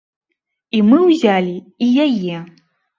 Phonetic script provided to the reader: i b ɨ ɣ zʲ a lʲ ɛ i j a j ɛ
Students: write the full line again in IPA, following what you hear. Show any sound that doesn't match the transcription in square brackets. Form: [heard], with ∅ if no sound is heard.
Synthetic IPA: i [m] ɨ [w] zʲ a lʲ [i] i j a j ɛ